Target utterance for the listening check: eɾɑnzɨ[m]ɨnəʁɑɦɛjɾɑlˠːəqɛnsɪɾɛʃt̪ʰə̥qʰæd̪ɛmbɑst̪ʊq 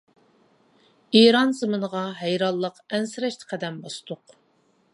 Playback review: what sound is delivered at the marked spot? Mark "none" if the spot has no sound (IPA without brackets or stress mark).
m